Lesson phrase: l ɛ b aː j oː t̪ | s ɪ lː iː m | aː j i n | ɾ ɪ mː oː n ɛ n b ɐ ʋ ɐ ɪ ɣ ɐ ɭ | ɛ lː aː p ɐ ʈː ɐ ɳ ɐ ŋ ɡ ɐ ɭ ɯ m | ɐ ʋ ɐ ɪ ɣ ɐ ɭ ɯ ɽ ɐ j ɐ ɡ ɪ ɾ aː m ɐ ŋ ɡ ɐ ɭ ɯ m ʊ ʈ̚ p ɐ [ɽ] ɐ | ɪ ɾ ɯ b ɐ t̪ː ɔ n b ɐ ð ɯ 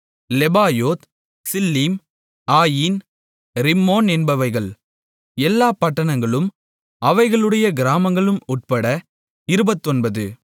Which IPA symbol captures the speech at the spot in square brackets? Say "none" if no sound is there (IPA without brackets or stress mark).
ɽ